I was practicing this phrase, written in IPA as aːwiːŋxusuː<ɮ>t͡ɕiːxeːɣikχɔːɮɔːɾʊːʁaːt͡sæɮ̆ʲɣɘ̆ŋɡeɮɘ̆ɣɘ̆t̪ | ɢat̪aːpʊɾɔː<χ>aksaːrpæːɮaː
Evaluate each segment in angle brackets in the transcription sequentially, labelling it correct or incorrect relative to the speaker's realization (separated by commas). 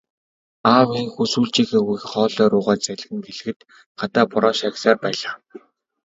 correct, incorrect